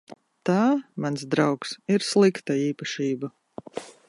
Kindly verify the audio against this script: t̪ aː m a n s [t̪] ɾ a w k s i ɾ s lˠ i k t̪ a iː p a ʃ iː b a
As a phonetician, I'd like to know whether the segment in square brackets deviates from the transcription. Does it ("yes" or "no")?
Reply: yes